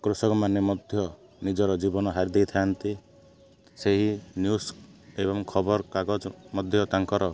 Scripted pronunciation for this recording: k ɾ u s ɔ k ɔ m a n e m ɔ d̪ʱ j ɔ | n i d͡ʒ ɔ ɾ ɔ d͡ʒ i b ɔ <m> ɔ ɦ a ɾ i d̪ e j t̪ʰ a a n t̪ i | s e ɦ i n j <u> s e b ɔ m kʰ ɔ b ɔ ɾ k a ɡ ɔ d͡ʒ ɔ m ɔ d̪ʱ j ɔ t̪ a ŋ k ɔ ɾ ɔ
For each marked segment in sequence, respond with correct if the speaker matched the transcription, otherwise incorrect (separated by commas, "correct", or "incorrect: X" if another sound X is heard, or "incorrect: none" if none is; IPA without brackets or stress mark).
incorrect: n, correct